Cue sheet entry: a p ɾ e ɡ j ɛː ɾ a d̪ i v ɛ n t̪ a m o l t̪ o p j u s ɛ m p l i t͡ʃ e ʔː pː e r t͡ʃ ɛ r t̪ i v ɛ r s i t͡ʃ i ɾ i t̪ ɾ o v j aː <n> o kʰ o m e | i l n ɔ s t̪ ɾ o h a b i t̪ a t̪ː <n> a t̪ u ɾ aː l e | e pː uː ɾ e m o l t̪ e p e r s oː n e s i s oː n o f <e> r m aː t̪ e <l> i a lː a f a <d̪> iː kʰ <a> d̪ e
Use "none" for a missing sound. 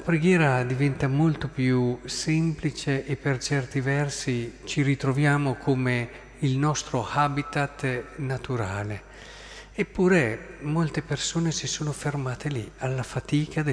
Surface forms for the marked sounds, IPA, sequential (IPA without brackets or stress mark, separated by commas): m, n, e, l, t̪, a